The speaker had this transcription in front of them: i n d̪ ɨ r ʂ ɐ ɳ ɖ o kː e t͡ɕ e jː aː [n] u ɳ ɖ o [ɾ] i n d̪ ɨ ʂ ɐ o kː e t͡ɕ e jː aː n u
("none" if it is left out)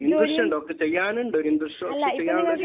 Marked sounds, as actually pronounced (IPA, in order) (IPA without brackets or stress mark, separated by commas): n, ɾ